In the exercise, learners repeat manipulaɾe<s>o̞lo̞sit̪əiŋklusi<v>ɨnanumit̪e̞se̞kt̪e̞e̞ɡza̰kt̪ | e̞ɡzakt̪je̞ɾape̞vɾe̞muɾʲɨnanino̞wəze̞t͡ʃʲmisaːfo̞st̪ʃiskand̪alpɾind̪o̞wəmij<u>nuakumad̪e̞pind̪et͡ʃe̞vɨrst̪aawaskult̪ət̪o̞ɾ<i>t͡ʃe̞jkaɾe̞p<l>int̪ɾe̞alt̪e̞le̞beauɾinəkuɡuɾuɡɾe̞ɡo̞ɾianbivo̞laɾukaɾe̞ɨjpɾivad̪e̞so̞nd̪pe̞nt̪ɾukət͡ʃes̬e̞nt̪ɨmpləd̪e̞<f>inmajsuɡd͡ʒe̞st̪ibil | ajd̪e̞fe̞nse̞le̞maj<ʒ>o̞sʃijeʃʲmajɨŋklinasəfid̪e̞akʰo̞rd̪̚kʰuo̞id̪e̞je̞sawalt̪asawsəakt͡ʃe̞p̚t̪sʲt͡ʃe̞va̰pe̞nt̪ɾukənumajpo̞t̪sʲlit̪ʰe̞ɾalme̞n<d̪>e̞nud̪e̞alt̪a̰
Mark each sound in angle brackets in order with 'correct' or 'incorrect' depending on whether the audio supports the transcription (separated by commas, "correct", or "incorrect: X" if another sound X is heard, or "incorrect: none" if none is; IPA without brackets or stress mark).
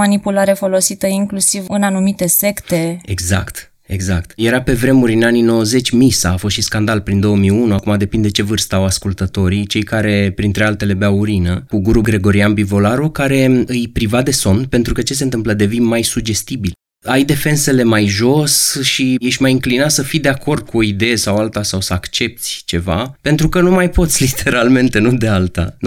incorrect: f, correct, correct, correct, incorrect: ɾ, incorrect: v, correct, incorrect: t̪